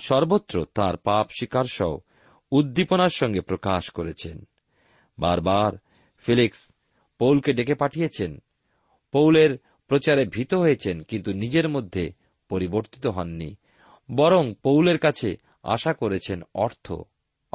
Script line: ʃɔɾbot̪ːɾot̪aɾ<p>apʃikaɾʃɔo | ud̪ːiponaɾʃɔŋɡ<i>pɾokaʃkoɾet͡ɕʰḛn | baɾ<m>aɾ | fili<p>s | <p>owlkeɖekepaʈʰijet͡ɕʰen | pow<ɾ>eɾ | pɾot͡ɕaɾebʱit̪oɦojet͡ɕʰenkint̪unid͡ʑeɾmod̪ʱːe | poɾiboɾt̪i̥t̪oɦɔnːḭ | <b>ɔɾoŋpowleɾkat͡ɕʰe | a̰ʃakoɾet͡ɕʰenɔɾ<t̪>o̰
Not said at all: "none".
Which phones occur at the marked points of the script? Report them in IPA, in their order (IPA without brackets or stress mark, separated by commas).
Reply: p, e, b, k, p, l, b, t̪ʰ